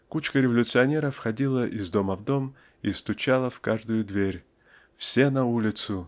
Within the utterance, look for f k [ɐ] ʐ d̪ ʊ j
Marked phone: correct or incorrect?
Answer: incorrect